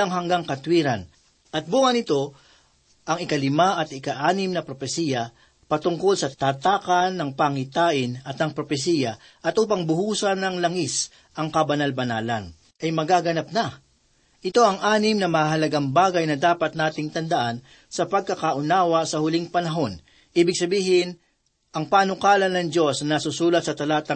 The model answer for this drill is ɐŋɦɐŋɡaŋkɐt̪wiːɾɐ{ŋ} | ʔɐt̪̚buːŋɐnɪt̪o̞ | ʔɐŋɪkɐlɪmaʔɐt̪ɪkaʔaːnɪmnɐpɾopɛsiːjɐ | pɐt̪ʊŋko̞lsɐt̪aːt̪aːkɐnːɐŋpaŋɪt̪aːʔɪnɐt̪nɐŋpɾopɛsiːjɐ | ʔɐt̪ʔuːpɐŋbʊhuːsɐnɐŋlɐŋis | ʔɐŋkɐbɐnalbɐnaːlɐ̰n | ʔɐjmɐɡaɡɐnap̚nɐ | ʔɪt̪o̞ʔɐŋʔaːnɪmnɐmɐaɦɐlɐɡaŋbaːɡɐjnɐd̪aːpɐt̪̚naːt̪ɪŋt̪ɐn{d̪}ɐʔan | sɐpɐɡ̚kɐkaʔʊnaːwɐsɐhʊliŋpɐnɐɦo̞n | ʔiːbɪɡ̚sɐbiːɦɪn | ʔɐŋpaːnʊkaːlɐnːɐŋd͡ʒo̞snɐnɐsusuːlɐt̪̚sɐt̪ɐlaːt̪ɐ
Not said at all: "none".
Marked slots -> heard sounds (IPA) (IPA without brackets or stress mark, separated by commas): n, d̪